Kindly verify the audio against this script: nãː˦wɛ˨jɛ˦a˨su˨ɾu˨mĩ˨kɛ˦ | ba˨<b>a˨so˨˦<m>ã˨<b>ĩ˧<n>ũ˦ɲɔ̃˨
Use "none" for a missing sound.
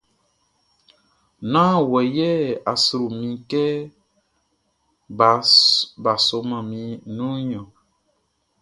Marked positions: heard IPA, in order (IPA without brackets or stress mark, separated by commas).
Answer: b, m, m, n